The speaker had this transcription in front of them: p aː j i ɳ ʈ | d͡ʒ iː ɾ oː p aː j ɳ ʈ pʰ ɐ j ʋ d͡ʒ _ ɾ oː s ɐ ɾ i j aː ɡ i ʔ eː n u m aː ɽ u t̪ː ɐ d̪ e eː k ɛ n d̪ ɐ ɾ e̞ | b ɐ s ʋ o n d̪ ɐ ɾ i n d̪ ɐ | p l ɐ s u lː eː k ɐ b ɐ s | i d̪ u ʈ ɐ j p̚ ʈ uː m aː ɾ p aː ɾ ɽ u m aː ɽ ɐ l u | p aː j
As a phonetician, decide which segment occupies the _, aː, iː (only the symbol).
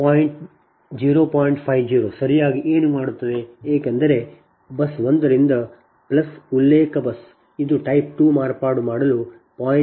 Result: iː